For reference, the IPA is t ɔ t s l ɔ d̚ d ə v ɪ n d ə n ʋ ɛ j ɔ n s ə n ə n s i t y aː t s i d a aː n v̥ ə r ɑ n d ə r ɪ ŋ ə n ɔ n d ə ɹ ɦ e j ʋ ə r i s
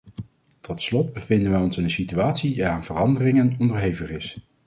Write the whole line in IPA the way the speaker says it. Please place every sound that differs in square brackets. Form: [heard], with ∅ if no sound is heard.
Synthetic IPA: t ɔ t s l ɔ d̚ [b] ə v ɪ n d ə n ʋ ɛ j ɔ n s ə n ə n s i t y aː t s i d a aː n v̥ ə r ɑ n d ə r ɪ ŋ ə n ɔ n d ə ɹ ɦ e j [v] ə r [ɪ] s

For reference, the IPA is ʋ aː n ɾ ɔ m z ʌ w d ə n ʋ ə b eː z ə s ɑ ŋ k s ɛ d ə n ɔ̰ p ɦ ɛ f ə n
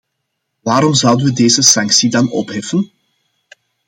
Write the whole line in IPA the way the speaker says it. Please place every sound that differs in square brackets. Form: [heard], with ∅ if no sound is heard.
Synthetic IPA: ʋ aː [∅] ɾ ɔ m z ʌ w d ə n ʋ ə [d] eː z ə s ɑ ŋ k s [i] d [ɑ] n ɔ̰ p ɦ ɛ f ə n

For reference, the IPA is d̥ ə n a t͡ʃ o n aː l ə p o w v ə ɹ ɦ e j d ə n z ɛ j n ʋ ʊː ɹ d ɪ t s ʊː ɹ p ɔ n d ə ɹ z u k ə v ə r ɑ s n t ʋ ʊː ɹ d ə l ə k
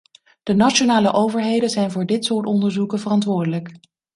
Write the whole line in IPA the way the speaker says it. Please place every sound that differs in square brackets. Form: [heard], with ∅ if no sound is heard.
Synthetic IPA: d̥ ə n a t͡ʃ o n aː l ə [ʔ] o w v ə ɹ ɦ e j d ə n z ɛ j n [v] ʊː ɹ d ɪ t s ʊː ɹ [t] ɔ n d ə ɹ z u k ə v ə r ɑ [∅] n t ʋ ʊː ɹ d ə l ə k

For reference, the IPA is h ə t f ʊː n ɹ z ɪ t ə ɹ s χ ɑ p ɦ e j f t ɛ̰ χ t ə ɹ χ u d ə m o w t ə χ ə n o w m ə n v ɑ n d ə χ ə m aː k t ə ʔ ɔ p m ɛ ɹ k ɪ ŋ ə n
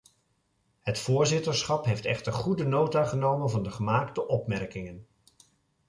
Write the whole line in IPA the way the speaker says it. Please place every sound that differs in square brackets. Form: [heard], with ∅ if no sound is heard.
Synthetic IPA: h ə t f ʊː [∅] ɹ z ɪ t ə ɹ s χ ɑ p ɦ e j f t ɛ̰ χ t ə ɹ χ u d ə [n] o w t [a] χ ə n o w m ə n v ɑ n d ə χ ə m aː k t ə ʔ ɔ p m ɛ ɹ k ɪ ŋ ə n

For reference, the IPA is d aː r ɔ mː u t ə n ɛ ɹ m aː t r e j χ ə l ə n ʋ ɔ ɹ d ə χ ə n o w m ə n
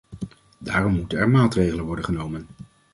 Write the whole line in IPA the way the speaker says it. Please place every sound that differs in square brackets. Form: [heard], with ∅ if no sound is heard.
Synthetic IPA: d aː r ɔ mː u t ə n ɛ ɹ m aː t r e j χ ə l ə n ʋ ɔ ɹ d ə χ ə n o w m ə n

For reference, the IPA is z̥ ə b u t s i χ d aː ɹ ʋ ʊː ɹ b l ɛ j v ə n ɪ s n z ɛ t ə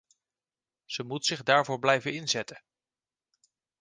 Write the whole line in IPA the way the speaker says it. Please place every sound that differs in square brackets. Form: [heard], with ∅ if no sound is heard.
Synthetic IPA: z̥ ə [m] u t s [ɪ] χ d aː ɹ [v] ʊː ɹ b l ɛ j v ə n ɪ [∅] n z ɛ t ə

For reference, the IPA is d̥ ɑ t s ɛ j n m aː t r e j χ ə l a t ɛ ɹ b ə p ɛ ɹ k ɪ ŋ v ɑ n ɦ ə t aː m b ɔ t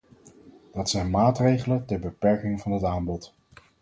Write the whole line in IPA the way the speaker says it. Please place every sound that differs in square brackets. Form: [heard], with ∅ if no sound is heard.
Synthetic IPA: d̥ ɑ t s ɛ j n m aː t r e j χ ə l [ə] t ɛ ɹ b ə p ɛ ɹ k ɪ ŋ v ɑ n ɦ ə t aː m b ɔ t

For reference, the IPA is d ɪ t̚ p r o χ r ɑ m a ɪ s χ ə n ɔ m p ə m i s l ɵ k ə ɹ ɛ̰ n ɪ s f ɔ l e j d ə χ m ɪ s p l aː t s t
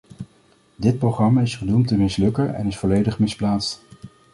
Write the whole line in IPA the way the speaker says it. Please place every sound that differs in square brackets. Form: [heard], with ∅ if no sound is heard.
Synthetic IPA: d ɪ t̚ p r o χ r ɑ m a ɪ s χ ə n [u] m [t] ə m [ɪ] s l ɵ k ə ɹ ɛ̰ n ɪ s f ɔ l e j d ə χ m ɪ s p l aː t s t

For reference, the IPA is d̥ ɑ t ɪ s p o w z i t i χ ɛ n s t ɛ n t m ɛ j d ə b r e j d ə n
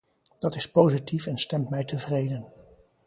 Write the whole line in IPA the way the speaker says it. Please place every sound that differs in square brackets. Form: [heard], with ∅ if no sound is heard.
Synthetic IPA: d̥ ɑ t ɪ s p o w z i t i [f] ɛ n s t ɛ [m] t m ɛ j [t] ə [v] r e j d ə n

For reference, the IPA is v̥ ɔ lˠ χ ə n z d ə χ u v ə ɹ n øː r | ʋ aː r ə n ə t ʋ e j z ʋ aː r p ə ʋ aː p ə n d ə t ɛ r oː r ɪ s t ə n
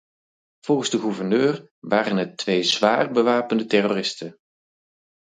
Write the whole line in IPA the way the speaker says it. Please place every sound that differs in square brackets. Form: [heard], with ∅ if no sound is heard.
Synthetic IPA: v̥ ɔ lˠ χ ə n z d ə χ u v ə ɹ n øː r | ʋ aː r ə n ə t ʋ e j z ʋ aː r [b] ə ʋ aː p ə n d ə t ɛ r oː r ɪ s t ə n

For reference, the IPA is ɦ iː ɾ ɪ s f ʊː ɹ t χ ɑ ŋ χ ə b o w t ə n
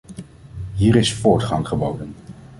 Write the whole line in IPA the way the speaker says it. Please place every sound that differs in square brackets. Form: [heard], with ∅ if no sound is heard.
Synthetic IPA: ɦ iː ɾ ɪ s f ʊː ɹ t χ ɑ ŋ χ ə b o w [d] ə n

